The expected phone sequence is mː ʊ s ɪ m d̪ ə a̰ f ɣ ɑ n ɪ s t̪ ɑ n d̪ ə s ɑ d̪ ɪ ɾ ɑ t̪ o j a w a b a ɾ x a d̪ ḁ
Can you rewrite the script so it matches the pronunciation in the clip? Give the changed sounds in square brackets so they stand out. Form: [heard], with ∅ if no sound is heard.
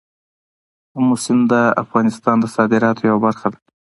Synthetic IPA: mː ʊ s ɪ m d̪ ə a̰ f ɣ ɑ n ɪ s t̪ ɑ n d̪ ə s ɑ d̪ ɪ ɾ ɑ t̪ o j a w a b a ɾ x a d̪ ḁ

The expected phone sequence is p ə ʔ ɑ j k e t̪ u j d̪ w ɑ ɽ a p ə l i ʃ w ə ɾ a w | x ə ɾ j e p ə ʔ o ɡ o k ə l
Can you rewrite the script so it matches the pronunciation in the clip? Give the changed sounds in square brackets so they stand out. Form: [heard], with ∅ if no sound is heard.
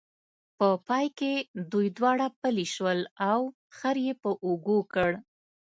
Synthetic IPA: p ə [p] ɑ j k e [d̪] u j d̪ w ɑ ɽ a p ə l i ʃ w ə [l] a w | x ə ɾ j e p ə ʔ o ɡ o k ə [ɽ]

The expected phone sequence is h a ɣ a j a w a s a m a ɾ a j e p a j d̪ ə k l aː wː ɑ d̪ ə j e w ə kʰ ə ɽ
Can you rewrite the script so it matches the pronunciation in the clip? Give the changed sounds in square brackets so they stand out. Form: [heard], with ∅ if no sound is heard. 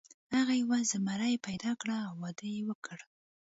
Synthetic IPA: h a ɣ a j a w a [z] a m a ɾ a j e p a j d̪ [ɑ] k [ɽ] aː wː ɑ d̪ ə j e w ə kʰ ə ɽ

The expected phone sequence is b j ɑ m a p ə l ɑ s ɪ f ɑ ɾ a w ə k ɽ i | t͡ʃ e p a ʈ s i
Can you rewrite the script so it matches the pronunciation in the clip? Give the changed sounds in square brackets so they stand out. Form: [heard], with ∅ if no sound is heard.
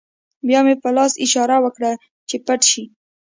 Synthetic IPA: b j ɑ m [e] p ə l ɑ s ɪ [ʃ] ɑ ɾ a w ə k ɽ [a] | t͡ʃ e p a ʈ [ʃ] i

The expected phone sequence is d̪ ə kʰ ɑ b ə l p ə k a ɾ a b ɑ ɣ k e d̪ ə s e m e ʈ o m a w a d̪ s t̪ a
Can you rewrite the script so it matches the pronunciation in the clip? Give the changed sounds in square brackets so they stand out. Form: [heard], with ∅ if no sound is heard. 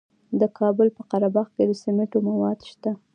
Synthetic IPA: d̪ ə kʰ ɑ b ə l p ə [q] a ɾ a b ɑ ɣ k e d̪ ə s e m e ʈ o m a w [ɑ] d̪ [ʃ] t̪ a

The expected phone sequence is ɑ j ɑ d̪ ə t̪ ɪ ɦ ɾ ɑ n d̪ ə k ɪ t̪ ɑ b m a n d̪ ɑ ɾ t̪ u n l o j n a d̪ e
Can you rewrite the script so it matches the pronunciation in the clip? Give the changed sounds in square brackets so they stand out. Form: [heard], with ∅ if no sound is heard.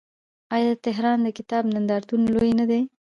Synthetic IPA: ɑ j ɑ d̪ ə t̪ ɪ ɦ ɾ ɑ n d̪ ə k ɪ t̪ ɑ b [n] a n d̪ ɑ ɾ t̪ u n l o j n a d̪ e

